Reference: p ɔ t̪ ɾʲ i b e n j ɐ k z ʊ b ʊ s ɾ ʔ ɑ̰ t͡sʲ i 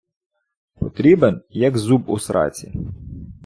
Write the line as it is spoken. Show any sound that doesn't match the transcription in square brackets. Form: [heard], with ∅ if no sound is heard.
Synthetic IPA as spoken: p ɔ t̪ ɾʲ i b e n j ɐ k z [u] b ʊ s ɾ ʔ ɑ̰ t͡sʲ i